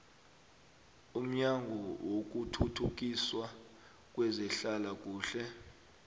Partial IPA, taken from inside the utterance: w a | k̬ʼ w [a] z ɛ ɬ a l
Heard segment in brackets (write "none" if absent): ɛ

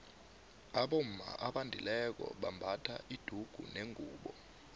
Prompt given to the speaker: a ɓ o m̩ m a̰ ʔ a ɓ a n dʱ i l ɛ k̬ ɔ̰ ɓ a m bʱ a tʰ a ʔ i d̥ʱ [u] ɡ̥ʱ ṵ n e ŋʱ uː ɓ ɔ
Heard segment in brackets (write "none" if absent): u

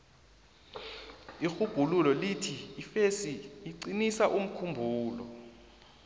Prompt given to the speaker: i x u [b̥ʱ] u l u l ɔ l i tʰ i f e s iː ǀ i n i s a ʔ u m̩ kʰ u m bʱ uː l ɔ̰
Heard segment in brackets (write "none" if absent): ɡ̥ʱ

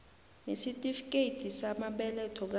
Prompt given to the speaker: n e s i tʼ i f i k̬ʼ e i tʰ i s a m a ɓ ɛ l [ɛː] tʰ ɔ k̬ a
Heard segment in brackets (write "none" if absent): ɛ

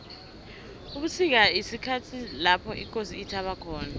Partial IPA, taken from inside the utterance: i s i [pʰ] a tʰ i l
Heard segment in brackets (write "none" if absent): kʰ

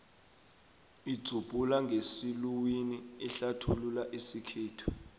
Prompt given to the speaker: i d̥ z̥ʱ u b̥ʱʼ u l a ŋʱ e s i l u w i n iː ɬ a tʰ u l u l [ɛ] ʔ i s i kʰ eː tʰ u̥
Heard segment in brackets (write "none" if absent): a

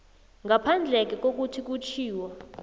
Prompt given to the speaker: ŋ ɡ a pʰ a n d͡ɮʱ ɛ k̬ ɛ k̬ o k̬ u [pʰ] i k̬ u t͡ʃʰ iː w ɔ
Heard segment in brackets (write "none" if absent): tʰ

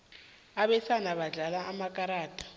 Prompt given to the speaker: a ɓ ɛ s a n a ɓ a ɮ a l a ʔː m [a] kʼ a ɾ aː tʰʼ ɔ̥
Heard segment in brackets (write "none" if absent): a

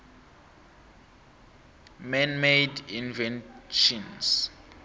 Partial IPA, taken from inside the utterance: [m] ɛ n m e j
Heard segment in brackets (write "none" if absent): m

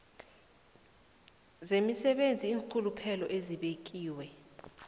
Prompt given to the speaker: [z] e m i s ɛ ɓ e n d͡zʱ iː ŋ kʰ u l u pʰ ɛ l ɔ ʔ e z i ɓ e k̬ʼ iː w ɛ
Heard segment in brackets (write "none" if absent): z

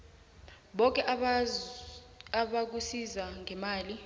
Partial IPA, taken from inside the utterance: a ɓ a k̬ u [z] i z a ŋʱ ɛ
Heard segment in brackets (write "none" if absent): s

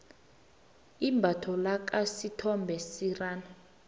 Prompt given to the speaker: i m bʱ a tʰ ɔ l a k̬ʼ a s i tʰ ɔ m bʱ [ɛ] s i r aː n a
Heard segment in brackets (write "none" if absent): ɛ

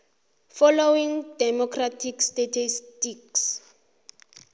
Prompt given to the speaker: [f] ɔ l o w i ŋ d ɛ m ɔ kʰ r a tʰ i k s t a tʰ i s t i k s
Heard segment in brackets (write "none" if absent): f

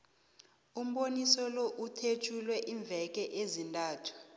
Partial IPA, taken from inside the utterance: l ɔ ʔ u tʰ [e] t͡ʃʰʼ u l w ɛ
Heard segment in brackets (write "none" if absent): e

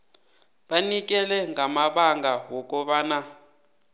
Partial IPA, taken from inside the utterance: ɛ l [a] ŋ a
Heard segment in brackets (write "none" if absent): ɛ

